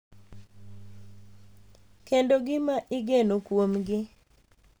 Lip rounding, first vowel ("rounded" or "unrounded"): unrounded